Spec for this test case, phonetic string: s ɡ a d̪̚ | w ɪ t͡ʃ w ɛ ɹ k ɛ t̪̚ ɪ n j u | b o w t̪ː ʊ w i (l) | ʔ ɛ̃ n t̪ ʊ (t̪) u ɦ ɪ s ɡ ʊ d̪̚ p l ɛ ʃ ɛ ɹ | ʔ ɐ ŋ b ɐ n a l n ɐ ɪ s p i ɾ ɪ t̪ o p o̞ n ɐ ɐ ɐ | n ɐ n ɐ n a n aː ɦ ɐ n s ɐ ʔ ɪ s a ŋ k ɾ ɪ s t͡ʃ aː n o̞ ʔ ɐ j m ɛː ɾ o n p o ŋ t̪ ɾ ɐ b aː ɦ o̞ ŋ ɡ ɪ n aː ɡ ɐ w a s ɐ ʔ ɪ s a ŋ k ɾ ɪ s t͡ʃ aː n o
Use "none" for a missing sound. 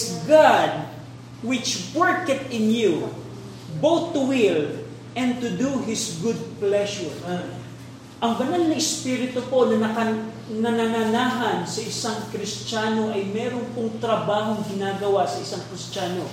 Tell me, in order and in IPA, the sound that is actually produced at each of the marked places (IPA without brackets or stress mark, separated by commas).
l, d̪